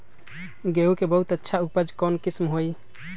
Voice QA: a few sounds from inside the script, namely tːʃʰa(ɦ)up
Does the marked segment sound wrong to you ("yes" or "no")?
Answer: yes